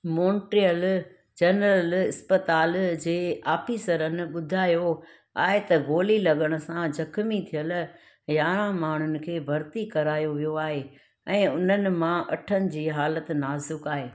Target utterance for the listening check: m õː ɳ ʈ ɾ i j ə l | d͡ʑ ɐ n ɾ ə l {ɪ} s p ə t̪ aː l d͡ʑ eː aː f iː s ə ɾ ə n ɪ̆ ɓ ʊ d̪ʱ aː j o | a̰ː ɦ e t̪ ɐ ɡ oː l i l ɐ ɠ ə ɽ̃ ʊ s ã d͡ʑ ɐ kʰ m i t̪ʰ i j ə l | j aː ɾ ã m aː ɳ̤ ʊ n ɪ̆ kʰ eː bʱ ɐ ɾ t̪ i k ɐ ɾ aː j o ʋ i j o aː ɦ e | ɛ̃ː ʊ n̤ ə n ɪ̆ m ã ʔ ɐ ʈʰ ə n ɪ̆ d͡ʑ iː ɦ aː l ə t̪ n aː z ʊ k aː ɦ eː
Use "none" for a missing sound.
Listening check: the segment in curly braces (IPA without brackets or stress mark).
ɪ